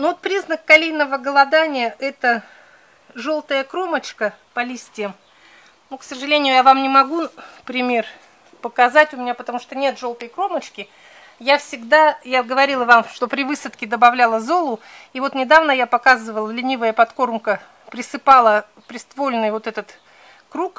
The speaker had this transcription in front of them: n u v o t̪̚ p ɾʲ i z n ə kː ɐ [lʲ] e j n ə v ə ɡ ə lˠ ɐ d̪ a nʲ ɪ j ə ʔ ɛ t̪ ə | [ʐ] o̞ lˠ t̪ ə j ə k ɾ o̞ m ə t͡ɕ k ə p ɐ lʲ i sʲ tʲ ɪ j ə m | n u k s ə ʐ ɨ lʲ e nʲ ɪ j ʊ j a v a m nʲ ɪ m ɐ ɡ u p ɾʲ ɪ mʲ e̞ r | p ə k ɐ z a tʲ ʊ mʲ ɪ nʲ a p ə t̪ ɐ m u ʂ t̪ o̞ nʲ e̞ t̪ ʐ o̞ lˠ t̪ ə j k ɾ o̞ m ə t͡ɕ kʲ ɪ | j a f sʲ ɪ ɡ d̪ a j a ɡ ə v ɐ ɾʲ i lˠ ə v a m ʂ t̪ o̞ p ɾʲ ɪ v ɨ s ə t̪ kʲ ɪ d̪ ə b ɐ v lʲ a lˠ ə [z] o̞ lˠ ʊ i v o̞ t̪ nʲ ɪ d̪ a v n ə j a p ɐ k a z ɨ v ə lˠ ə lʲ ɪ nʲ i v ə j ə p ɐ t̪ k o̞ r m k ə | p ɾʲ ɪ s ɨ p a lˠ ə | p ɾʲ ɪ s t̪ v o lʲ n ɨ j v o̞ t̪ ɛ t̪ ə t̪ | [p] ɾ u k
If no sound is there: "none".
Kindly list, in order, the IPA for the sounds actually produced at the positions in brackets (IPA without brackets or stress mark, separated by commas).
lʲ, ʐ, z, k